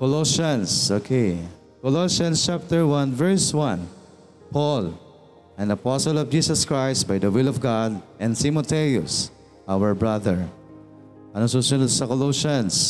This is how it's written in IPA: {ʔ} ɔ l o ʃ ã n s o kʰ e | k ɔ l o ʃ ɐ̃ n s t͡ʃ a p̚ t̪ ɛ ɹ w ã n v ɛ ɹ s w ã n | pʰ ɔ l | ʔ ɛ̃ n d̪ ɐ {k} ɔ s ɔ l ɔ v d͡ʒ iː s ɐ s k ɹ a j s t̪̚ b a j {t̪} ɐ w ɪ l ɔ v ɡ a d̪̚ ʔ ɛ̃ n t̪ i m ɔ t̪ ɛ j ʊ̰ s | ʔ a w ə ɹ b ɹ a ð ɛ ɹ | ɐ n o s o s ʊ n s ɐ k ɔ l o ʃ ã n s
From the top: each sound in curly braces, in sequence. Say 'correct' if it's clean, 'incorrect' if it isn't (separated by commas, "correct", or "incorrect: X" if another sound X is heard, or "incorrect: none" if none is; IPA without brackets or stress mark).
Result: incorrect: k, incorrect: p, incorrect: d̪